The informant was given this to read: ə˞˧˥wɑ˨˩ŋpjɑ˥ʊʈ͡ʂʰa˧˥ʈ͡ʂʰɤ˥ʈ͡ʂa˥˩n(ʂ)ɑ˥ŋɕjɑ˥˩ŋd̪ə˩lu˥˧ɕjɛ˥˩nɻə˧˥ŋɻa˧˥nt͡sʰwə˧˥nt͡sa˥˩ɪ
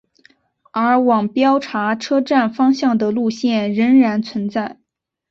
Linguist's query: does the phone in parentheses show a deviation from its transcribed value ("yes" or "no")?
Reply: yes